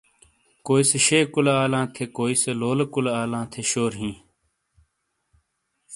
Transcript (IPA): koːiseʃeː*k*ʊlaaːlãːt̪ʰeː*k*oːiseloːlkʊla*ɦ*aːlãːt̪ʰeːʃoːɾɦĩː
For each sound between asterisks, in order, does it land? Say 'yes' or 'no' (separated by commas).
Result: yes, yes, no